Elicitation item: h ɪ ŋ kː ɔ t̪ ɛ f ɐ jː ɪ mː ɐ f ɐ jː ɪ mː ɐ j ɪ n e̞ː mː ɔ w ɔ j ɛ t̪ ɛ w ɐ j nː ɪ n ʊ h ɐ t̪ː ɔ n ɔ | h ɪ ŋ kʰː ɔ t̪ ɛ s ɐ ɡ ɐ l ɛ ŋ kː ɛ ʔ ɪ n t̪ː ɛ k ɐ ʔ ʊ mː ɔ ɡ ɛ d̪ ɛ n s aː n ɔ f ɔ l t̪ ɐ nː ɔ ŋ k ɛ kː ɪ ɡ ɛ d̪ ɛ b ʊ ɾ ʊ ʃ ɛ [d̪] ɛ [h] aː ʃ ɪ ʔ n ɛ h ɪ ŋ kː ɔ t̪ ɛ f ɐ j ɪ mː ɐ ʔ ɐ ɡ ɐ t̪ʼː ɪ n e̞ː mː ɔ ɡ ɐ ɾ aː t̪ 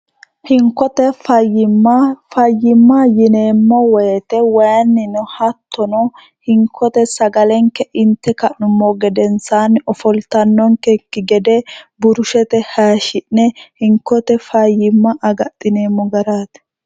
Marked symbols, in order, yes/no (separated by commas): no, yes